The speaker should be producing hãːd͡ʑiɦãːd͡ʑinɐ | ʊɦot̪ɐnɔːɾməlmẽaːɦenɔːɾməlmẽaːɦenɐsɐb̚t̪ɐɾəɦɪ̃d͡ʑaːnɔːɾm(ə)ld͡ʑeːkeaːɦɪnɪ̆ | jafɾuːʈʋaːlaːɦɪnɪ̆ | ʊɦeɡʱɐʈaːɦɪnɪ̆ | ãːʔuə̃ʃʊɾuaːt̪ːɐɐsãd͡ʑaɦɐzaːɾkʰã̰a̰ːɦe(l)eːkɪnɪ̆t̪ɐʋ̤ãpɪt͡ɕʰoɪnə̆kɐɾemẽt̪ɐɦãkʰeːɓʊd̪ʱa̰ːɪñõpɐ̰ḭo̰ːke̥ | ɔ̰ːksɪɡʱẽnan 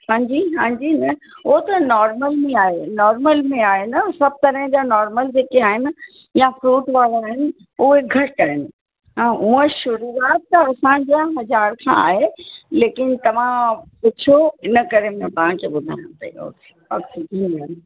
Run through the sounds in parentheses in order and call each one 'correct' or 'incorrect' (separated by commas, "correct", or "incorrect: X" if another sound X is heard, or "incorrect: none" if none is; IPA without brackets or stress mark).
correct, correct